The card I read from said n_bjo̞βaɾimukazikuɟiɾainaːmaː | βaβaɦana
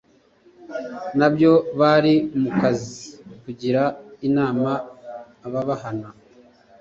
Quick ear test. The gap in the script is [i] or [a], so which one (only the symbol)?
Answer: a